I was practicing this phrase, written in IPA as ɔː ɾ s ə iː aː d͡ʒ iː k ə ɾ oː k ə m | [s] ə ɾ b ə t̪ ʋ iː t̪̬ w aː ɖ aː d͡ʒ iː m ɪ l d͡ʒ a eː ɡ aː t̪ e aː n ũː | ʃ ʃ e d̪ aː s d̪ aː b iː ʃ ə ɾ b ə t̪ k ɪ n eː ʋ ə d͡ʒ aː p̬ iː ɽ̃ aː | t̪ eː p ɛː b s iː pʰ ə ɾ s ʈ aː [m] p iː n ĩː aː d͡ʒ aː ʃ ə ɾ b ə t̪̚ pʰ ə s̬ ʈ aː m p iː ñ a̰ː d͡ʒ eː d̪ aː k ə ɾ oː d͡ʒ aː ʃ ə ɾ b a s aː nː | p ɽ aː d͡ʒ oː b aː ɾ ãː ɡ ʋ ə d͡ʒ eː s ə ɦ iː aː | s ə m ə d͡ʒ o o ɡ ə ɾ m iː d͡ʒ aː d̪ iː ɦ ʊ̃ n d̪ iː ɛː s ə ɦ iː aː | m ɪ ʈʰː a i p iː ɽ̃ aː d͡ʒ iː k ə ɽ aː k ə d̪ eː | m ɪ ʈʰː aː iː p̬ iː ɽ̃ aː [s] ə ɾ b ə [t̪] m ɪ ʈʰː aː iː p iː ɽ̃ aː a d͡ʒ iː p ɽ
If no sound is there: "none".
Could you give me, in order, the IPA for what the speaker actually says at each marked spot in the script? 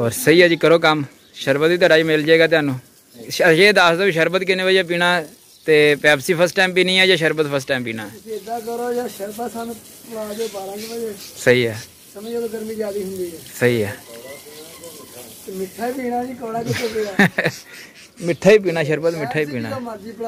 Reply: ʃ, m, ʃ, t̪

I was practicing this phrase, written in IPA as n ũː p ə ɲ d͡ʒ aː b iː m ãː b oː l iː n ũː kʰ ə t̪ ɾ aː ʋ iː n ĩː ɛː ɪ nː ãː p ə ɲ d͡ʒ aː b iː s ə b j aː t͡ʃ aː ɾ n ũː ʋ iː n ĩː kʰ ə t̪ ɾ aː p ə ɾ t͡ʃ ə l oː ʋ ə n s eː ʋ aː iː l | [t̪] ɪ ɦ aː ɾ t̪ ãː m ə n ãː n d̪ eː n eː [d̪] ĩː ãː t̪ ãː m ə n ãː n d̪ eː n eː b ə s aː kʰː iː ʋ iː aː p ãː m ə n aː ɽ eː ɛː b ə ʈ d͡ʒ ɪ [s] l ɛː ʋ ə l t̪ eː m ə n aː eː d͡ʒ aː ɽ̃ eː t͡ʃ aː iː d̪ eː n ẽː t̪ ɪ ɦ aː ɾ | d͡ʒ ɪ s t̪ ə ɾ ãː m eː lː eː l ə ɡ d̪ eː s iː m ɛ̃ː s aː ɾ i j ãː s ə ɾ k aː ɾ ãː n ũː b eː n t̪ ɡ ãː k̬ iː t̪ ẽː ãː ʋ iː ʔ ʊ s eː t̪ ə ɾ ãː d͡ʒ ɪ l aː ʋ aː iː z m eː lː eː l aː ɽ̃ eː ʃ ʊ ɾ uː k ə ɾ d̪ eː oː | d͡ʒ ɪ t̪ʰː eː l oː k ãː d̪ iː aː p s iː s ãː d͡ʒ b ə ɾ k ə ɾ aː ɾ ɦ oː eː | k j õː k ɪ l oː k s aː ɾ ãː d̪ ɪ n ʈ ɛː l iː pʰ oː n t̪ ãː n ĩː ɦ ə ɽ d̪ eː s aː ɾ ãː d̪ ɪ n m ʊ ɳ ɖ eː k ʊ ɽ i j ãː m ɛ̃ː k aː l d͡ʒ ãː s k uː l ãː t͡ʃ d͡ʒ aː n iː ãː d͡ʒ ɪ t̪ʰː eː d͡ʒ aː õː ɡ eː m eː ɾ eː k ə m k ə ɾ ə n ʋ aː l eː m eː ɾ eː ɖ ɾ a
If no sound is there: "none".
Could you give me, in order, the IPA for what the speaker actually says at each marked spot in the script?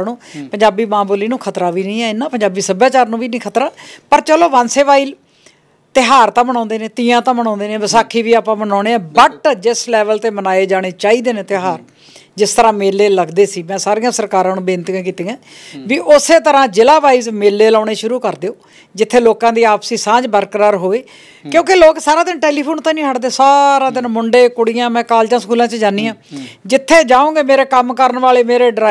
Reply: t̪, t̪, s

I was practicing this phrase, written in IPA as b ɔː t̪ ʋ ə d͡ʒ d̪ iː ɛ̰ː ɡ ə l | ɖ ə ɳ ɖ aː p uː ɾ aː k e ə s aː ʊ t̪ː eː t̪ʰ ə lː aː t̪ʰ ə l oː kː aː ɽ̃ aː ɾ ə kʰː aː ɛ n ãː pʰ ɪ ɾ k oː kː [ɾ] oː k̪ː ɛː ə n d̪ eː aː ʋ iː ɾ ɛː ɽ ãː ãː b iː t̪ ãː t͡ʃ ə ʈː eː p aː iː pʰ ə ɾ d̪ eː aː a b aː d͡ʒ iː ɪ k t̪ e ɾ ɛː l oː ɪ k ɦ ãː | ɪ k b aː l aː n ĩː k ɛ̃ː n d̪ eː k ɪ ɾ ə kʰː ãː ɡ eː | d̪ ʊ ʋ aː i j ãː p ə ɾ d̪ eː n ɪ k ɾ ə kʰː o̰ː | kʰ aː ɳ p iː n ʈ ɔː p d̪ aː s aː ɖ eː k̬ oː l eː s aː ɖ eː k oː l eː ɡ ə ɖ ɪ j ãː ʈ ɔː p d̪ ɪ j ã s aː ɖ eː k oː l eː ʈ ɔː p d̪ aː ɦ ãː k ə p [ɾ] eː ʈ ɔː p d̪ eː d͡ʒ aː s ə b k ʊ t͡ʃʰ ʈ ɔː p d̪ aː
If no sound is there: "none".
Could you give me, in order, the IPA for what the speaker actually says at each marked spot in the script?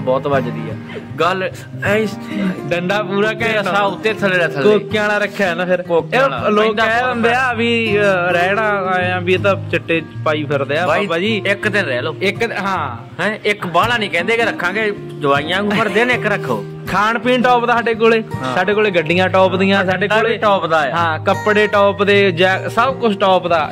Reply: l, ɽ

